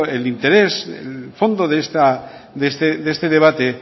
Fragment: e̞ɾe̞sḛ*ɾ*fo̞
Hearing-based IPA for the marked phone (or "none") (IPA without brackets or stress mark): l